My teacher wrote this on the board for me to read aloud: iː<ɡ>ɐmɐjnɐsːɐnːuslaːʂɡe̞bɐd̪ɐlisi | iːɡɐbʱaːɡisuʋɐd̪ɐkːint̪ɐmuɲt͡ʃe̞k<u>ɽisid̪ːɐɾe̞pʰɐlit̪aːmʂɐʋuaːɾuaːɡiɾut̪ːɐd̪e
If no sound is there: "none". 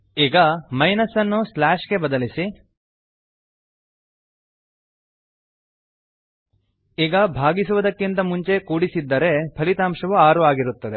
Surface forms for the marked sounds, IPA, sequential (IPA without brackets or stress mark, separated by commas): ɡ, uː